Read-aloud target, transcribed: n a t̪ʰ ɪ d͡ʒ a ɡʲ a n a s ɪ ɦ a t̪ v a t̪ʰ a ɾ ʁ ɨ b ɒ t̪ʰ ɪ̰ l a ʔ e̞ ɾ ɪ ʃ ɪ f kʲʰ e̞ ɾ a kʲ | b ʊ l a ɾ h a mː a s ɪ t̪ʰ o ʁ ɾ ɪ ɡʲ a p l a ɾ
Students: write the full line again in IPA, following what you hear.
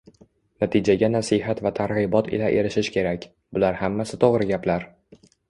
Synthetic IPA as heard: n a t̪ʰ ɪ d͡ʒ a ɡʲ a n a s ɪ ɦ a t̪ v a t̪ʰ a ɾ ʁ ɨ b ɒ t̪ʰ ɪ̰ l a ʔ e̞ ɾ ɪ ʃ ɪ ʃ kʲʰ e̞ ɾ a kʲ | b ʊ l a ɾ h a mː a s ɪ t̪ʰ o ʁ ɾ ɪ ɡʲ a p l a ɾ